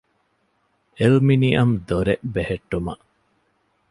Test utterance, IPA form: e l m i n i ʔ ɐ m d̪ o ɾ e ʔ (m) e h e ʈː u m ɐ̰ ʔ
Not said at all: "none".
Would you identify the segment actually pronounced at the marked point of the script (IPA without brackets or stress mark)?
b